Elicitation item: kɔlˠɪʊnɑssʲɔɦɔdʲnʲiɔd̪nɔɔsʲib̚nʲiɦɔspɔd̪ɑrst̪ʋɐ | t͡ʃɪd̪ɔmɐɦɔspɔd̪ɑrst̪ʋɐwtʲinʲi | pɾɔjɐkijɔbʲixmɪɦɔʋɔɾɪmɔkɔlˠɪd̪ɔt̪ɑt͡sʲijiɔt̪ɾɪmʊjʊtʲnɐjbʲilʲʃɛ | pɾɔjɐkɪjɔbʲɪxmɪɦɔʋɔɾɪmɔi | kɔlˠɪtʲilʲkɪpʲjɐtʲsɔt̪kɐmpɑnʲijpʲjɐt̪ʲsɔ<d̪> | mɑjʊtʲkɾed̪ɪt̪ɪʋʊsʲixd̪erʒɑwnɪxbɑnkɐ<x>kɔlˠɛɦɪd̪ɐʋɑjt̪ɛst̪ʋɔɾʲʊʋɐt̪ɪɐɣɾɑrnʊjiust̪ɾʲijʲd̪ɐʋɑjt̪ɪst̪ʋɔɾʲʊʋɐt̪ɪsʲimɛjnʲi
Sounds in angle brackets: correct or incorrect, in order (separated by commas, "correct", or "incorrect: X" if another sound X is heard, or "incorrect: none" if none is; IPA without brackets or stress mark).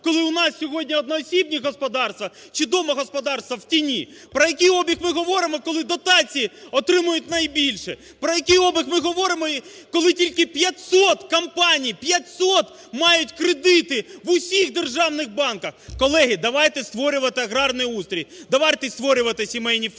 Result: incorrect: t̪, correct